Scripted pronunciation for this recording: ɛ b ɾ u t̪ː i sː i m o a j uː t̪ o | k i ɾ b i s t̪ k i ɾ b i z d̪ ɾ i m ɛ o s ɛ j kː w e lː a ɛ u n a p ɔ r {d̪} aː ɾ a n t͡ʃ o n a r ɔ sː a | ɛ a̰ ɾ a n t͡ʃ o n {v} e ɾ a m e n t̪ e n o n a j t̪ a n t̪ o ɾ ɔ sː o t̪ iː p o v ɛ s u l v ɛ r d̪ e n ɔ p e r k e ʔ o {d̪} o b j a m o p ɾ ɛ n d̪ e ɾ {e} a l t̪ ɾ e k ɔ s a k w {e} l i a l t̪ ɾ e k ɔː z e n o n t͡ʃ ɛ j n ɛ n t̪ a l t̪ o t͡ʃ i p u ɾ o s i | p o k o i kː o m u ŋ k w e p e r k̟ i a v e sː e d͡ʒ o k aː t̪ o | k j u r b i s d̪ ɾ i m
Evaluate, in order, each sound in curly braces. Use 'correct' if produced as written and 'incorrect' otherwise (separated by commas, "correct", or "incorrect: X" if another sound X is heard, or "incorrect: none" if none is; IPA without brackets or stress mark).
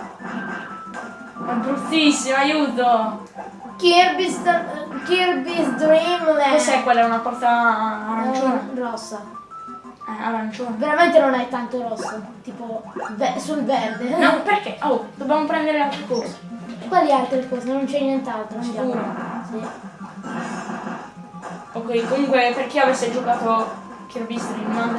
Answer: incorrect: t̪, correct, correct, correct, incorrect: a